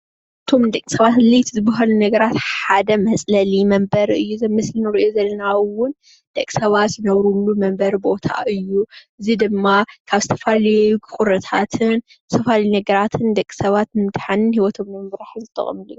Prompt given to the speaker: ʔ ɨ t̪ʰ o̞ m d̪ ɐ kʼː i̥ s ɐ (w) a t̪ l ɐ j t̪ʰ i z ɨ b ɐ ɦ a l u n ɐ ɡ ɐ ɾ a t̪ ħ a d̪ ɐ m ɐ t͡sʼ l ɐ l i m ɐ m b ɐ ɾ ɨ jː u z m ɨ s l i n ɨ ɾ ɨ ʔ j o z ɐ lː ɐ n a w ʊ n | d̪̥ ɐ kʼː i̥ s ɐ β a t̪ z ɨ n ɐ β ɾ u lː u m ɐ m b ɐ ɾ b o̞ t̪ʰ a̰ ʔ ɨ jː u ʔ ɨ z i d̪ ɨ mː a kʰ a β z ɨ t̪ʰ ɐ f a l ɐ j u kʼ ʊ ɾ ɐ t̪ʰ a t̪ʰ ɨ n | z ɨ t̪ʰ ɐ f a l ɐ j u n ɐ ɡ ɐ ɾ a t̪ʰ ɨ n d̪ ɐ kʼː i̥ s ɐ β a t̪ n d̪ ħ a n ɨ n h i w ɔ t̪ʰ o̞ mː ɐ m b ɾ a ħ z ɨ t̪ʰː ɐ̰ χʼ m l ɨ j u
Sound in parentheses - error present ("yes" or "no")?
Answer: yes